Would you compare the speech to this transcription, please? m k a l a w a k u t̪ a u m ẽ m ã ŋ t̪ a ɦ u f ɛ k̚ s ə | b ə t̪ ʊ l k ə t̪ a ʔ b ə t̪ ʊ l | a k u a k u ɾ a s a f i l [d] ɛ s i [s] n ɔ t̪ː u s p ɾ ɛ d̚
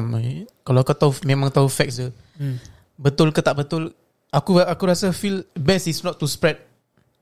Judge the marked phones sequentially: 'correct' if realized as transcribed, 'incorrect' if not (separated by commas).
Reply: incorrect, correct